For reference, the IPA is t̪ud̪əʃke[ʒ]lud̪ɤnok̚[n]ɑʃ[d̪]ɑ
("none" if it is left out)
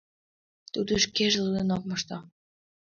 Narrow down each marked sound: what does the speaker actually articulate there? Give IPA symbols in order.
ʒ, m, t̪

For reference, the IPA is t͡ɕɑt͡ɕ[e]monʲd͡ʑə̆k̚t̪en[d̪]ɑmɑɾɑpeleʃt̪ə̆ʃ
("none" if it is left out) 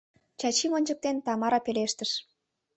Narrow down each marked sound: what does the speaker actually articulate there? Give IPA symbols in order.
i, t̪

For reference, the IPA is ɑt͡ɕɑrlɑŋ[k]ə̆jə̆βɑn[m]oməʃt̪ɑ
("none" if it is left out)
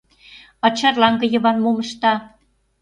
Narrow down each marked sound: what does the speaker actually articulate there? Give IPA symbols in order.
ɡ, m

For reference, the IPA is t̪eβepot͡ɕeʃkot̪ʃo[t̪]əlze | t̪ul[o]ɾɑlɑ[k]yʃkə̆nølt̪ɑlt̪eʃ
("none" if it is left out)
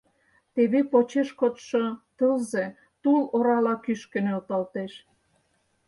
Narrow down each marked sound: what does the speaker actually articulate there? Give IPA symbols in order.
t̪, o, k

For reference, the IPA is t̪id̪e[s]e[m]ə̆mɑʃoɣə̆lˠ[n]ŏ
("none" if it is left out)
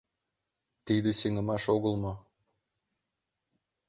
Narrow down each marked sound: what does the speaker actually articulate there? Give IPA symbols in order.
s, ŋ, m

